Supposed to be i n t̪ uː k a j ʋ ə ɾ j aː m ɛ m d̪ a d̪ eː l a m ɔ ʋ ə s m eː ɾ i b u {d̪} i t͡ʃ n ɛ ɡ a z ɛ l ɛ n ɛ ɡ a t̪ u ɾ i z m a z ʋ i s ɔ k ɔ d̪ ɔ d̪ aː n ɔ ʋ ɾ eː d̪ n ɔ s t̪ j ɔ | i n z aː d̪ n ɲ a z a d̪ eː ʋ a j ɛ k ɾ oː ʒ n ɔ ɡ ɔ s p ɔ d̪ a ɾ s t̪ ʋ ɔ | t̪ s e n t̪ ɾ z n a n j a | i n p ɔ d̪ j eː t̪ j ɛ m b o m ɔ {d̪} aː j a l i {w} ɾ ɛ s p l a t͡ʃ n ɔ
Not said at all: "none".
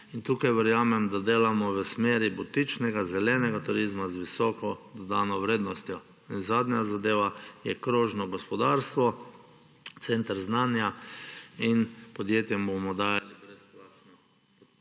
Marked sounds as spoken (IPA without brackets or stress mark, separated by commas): t̪, d̪, b